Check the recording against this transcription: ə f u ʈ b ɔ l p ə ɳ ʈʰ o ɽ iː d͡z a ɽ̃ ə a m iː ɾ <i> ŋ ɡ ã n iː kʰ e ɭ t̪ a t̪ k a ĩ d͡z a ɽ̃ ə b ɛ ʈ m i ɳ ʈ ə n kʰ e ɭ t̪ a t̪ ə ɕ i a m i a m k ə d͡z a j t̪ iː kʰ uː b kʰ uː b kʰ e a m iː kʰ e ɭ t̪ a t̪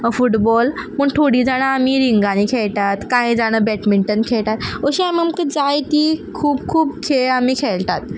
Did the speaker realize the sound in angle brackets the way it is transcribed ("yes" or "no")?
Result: yes